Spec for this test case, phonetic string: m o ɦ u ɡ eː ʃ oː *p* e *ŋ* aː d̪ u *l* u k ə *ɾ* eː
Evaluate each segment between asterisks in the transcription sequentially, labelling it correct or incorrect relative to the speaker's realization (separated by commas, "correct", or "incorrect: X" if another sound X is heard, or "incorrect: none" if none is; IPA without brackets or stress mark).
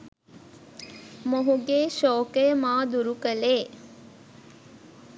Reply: incorrect: k, incorrect: m, incorrect: ɾ, incorrect: l